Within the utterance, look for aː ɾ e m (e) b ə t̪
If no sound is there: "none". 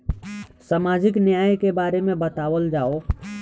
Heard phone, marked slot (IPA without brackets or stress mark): ẽ